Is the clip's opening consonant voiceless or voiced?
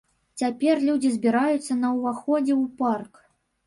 voiceless